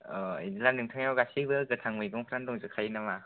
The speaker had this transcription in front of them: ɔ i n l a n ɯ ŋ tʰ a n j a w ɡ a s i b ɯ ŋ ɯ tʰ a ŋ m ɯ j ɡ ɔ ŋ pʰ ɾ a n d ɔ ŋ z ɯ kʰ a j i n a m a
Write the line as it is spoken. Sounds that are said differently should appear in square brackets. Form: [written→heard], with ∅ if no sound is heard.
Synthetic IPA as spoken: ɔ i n l a n ɯ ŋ tʰ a [n→ŋ] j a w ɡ a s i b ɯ [ŋ→ɡ] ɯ tʰ a ŋ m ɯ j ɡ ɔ ŋ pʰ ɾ a n d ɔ ŋ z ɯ kʰ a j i n a m a